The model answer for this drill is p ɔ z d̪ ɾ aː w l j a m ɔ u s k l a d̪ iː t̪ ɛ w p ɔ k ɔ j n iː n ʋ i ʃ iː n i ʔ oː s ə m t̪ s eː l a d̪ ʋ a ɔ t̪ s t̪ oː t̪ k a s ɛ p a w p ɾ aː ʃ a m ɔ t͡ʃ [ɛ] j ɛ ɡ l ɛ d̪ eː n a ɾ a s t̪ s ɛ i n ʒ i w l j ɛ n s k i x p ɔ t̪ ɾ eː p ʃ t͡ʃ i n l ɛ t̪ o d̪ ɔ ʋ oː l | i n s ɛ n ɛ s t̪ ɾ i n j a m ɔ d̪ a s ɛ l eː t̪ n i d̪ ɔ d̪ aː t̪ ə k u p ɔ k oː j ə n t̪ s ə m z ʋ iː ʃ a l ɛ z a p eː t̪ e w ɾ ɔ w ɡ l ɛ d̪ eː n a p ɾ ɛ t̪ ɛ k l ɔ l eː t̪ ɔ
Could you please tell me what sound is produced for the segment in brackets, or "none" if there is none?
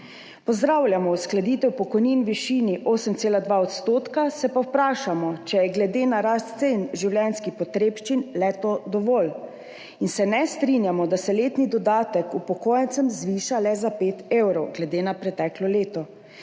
ɛ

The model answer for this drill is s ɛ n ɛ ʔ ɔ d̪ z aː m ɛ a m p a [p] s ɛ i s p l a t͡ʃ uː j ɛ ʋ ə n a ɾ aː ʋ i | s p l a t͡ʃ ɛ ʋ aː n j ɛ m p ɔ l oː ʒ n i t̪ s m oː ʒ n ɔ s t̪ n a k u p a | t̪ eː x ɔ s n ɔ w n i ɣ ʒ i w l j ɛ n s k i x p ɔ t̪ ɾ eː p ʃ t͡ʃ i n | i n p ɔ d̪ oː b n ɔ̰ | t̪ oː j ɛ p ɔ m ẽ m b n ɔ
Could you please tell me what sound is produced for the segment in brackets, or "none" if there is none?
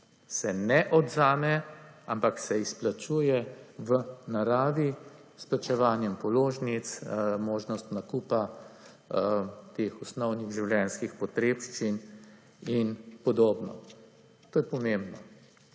k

